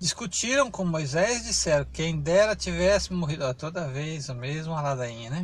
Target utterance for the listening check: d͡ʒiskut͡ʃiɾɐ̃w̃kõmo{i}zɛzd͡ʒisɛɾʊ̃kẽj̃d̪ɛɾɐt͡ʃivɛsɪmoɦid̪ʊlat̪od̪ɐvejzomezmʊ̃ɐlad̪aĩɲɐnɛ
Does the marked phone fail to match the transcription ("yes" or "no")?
yes